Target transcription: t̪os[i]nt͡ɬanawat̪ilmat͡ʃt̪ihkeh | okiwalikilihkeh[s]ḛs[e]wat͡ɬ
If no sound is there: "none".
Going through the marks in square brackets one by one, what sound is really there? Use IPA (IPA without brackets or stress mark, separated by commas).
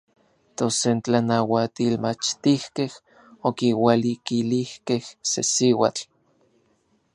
e, s, i